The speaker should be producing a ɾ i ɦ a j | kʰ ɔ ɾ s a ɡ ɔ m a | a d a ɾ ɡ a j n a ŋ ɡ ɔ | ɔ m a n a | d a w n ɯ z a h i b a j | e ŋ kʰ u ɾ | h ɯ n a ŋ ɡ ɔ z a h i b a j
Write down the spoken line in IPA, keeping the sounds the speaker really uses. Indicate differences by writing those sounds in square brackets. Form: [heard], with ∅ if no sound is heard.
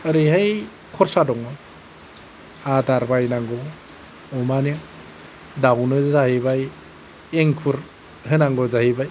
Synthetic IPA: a ɾ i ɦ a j | kʰ ɔ ɾ s a [d] ɔ [ŋ] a | a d a ɾ [b] a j n a ŋ ɡ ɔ | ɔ m a n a | d a w n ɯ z a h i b a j | e ŋ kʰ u ɾ | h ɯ n a ŋ ɡ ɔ z a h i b a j